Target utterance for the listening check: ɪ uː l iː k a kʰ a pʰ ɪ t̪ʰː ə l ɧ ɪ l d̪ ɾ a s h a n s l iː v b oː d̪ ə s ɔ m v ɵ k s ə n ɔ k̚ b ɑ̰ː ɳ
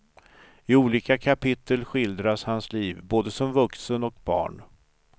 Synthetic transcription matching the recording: ɪ uː l iː k a kʰ a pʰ ɪ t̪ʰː ə l ɧ ɪ l d̪ ɾ a s h a n s l iː v b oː d̪ ə s ɔ m v ɵ k s ə n ɔ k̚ b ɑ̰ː ɳ